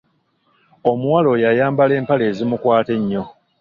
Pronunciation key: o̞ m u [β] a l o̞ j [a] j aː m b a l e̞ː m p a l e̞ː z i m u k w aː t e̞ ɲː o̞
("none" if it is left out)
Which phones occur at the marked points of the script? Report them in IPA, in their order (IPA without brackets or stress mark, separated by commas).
w, a